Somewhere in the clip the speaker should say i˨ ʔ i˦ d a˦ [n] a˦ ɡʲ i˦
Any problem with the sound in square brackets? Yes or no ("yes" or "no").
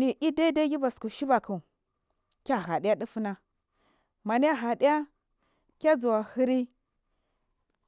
yes